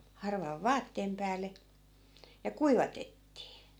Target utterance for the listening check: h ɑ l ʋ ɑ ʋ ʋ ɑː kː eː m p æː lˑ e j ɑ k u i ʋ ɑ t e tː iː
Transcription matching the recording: h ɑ r ʋ ɑ ʋ ʋ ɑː tː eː m p æː lˑ e j ɑ k u i ʋ ɑ t e tː iː